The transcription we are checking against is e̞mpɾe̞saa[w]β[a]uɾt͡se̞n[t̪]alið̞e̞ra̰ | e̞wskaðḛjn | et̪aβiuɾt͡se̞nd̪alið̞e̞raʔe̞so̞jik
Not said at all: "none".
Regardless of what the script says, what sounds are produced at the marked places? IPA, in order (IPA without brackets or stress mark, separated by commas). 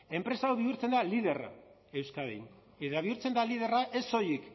w, i, d̪